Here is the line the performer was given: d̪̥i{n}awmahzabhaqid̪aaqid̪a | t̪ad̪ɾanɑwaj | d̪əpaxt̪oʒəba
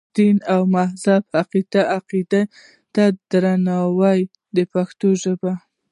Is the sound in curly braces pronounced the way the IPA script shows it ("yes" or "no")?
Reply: yes